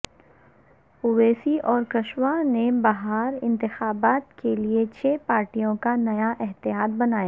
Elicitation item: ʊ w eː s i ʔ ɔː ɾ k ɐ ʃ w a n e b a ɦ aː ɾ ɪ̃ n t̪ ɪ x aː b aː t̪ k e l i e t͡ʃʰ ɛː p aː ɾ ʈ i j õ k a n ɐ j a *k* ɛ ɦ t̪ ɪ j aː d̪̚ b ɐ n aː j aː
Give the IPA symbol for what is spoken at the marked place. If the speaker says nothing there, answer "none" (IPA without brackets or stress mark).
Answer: ʔ